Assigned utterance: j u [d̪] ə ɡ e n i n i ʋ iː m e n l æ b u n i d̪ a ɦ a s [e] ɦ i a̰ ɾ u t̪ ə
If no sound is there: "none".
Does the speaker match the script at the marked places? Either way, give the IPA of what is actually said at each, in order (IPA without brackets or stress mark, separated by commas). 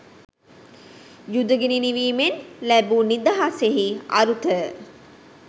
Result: d̪, e